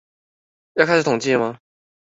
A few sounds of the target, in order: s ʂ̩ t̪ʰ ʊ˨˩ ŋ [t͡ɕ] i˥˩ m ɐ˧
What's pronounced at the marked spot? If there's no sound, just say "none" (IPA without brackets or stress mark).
t͡ɕ